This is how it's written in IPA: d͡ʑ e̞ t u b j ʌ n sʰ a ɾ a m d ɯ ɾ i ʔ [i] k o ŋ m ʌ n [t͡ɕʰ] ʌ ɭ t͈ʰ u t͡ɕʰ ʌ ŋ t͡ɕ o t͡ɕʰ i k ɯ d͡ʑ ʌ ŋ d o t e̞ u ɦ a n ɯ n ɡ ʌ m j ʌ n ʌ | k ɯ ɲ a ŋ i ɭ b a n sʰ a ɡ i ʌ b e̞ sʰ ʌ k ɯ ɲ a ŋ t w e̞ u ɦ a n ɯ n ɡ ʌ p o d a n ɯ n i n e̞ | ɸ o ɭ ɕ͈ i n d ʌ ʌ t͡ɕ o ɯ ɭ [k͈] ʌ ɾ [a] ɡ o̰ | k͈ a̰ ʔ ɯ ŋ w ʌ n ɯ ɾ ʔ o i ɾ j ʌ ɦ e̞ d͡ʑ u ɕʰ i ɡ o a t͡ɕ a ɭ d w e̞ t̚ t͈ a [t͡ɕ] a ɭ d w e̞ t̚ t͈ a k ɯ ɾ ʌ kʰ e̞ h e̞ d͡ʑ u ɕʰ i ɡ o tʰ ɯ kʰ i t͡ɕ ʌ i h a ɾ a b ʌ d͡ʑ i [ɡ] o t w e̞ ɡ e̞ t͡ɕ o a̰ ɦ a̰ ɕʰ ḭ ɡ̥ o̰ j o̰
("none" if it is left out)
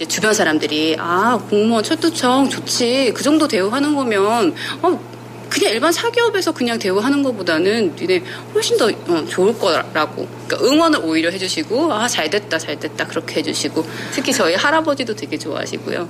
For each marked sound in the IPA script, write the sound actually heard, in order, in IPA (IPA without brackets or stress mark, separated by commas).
a, t͡ɕʰ, k͈, a, t͡ɕ, d